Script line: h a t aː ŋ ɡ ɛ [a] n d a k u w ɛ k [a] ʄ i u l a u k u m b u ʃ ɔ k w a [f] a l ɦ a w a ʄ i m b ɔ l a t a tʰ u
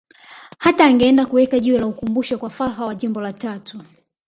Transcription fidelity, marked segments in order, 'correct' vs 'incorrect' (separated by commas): incorrect, correct, correct